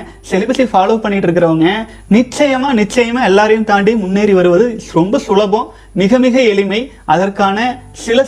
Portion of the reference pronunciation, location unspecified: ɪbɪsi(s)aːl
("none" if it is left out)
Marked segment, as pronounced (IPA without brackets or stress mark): f